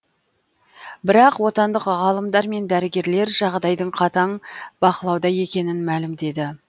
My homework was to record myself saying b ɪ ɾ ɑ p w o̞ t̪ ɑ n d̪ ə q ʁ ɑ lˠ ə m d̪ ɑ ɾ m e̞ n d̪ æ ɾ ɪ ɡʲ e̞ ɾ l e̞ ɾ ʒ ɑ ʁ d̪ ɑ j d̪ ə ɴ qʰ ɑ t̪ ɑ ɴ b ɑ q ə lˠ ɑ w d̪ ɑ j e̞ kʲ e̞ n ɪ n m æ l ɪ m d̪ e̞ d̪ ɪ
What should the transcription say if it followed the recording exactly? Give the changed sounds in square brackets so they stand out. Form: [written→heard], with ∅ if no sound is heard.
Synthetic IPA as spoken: b ɪ ɾ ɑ [p→q] w o̞ t̪ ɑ n d̪ ə q ʁ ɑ lˠ ə m d̪ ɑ ɾ m e̞ n d̪ æ ɾ ɪ ɡʲ e̞ ɾ l e̞ ɾ ʒ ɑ ʁ d̪ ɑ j d̪ ə ɴ qʰ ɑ t̪ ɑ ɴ b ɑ q ə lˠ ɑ w d̪ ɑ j e̞ kʲ e̞ n ɪ n m æ l ɪ m d̪ e̞ d̪ ɪ